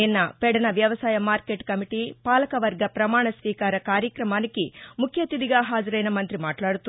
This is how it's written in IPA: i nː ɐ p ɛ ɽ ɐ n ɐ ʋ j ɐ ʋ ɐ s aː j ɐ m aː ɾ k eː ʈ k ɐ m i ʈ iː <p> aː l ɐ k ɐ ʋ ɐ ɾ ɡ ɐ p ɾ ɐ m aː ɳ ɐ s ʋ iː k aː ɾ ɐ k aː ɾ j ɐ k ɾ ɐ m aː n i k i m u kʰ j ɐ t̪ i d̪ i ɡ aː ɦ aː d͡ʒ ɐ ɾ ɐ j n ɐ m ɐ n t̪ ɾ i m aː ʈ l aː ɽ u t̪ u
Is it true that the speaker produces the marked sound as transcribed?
yes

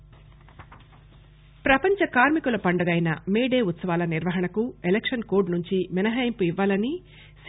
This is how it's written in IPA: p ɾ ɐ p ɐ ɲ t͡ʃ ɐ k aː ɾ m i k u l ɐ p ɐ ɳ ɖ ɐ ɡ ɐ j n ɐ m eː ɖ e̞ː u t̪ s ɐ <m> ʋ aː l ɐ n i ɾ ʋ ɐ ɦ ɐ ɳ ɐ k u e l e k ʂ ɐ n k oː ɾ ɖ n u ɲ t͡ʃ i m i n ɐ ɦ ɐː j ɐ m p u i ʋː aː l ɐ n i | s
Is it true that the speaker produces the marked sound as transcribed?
no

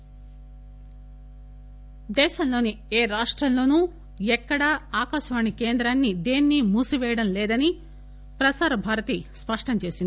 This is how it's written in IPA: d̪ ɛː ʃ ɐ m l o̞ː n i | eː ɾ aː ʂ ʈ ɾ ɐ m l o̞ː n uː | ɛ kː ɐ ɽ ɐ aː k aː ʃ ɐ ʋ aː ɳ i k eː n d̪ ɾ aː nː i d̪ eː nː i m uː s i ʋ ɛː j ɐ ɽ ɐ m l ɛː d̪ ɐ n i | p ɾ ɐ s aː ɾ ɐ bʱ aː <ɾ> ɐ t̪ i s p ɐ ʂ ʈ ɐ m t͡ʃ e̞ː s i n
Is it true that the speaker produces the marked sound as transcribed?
yes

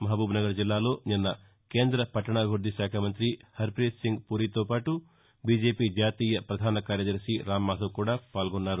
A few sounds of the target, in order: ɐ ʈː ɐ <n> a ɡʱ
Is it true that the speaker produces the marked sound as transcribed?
no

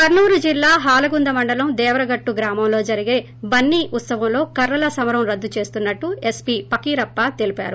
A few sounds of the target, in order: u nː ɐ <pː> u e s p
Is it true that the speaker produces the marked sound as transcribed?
no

